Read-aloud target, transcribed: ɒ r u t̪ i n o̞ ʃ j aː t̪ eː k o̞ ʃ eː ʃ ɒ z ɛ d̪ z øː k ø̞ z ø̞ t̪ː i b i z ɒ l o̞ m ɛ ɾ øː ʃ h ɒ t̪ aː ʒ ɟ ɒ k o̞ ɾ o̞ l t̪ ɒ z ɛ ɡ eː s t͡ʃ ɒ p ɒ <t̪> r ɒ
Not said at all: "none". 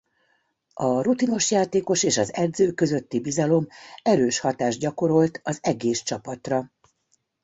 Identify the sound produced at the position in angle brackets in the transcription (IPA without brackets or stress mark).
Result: t̪